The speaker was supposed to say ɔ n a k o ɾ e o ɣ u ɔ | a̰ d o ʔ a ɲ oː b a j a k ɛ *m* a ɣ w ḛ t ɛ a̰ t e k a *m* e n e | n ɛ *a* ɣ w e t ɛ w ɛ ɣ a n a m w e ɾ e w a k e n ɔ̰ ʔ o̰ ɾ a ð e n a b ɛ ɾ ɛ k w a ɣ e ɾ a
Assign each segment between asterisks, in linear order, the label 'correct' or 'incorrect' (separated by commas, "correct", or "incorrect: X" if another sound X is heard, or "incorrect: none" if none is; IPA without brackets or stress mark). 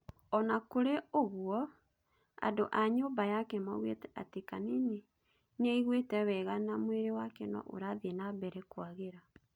correct, incorrect: n, incorrect: i